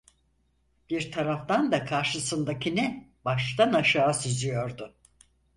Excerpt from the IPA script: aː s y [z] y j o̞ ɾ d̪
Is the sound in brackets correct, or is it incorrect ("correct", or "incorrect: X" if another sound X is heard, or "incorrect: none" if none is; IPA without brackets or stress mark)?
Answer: correct